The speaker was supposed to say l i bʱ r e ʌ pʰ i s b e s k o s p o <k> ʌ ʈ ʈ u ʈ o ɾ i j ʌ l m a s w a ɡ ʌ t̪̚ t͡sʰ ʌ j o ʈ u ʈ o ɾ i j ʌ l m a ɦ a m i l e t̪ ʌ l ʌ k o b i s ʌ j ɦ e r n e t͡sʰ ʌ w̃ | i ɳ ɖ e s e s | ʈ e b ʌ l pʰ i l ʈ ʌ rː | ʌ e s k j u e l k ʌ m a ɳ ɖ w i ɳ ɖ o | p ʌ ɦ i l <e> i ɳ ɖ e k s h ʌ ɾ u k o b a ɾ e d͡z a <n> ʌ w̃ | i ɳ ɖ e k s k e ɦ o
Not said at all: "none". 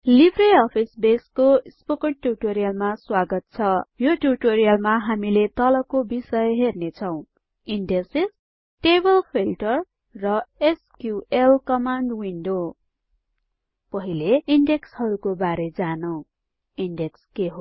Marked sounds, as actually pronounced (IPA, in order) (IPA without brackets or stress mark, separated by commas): k, e, n